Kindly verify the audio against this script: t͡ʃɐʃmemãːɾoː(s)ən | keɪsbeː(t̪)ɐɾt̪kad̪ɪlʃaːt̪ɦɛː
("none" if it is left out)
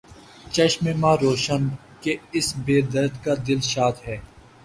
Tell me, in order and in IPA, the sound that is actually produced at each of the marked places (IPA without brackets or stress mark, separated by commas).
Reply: ʃ, d̪